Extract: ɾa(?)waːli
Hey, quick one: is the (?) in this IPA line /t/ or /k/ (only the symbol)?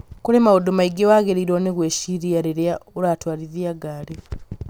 t